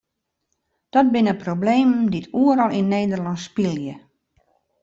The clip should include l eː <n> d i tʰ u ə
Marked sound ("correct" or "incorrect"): incorrect